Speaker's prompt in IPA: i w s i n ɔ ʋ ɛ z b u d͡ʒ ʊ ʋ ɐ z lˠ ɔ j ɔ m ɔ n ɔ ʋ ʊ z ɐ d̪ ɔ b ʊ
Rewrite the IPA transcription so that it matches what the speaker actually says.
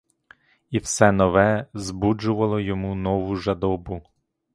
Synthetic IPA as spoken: i w s ɛ n ɔ ʋ ɛ z b u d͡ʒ ʊ ʋ ɐ lˠ ɔ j ɔ m u n ɔ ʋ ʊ ʒ ɐ d̪ ɔ b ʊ